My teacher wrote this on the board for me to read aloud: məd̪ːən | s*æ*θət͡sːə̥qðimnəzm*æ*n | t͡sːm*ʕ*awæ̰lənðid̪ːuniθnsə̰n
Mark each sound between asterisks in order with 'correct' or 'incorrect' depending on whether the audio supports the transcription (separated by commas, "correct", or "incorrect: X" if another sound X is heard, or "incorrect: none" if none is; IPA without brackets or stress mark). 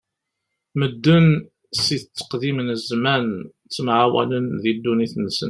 incorrect: i, correct, correct